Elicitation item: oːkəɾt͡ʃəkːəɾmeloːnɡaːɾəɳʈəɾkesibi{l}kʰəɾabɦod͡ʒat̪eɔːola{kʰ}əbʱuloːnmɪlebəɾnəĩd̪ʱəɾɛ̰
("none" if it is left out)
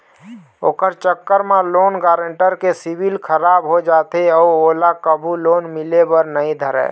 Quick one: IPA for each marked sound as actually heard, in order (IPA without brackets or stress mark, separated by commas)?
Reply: l, k